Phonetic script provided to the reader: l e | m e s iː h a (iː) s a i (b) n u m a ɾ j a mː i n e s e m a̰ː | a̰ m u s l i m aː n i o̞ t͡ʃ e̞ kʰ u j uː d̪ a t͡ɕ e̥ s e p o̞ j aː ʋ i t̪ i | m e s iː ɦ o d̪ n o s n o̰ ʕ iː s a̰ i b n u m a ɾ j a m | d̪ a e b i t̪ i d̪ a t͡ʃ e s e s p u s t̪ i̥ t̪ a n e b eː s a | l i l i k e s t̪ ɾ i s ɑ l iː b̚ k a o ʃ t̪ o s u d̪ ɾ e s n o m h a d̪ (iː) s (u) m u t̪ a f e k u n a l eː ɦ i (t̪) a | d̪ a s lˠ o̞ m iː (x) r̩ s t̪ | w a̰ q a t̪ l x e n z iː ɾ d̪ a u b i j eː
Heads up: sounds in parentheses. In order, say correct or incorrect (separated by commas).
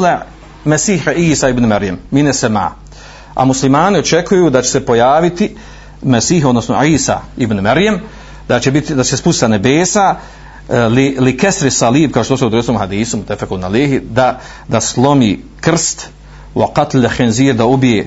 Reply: correct, correct, correct, correct, incorrect, incorrect